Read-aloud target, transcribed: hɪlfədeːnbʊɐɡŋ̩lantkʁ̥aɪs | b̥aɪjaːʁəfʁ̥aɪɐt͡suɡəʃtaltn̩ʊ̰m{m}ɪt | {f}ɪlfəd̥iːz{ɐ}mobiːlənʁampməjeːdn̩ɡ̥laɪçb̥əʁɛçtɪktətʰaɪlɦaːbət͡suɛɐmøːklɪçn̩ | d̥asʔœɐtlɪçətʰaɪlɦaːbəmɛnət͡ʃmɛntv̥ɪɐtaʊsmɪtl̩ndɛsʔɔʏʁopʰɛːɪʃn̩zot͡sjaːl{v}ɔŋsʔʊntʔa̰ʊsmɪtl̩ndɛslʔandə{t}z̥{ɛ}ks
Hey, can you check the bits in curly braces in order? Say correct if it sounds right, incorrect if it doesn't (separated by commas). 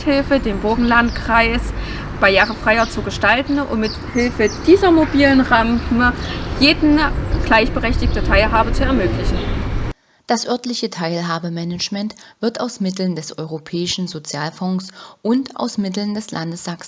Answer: correct, incorrect, correct, incorrect, incorrect, incorrect